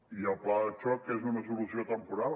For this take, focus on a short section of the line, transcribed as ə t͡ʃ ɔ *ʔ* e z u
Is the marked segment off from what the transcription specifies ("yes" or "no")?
yes